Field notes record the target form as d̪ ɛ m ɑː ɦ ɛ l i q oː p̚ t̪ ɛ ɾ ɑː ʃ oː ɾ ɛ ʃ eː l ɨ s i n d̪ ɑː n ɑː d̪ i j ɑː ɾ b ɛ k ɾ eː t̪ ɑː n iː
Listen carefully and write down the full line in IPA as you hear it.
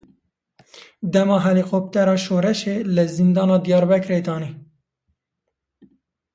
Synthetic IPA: d̪ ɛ m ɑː ɦ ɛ l i q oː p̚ t̪ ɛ ɾ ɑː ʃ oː ɾ ɛ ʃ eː l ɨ z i n d̪ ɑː n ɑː d̪ i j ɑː ɾ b ɛ k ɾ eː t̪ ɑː n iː